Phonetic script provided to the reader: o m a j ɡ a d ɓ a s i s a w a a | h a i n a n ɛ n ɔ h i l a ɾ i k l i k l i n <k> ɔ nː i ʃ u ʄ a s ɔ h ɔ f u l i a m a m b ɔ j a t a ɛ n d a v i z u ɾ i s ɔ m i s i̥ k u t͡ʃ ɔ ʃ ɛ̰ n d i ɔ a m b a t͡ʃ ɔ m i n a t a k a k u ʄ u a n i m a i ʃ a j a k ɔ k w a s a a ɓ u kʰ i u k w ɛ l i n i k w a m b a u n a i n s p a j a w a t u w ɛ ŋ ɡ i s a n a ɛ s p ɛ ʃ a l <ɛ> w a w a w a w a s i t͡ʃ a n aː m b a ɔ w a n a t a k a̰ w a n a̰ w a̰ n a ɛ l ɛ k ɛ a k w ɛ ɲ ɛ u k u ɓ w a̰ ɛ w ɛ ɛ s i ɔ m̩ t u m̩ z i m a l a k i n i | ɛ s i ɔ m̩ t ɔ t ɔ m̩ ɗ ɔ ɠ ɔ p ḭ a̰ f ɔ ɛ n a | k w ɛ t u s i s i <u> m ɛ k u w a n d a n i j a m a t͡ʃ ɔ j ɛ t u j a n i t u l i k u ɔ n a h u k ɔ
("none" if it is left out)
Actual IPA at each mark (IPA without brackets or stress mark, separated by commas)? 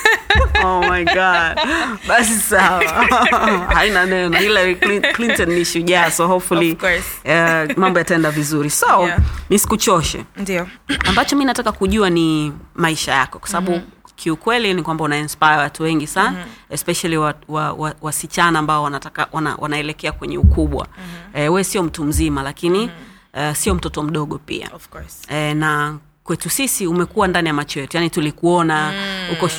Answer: t, i, u